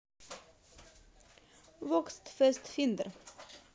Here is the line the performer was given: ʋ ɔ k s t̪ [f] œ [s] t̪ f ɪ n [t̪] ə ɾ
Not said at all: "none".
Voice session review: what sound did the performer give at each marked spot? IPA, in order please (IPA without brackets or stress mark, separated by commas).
f, s, d̪